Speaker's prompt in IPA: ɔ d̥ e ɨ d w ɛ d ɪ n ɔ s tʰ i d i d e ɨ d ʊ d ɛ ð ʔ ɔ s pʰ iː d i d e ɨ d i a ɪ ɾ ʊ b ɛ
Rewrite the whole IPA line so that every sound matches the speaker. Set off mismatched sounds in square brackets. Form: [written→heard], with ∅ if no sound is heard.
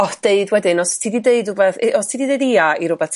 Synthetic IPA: ɔ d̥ e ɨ d w ɛ d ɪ n ɔ s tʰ i d i d e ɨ d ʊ [d→b] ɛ [ð→θ] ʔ ɔ s [pʰ→tʰ] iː d i d e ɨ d i a [ɪ→i] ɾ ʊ b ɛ